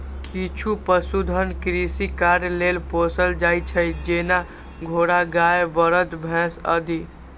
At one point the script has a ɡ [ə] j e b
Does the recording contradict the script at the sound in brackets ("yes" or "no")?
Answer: yes